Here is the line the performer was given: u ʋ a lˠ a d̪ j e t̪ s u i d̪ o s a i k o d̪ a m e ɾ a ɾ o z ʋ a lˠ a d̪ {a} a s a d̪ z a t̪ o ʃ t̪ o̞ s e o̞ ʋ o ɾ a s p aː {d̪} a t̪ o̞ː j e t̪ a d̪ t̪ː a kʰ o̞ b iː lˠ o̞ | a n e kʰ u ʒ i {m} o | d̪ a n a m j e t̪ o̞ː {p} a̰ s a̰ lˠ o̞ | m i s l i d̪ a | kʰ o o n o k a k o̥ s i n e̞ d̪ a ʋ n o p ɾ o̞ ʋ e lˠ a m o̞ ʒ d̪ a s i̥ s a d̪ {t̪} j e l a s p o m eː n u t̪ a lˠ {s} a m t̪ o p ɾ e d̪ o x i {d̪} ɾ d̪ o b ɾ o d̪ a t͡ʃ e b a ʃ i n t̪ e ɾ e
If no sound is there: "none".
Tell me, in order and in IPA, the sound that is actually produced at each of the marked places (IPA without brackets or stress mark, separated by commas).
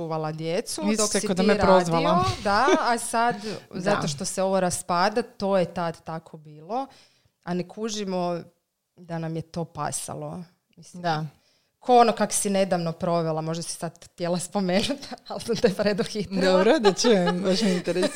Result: a, d̪, m, p, t̪, s, t̪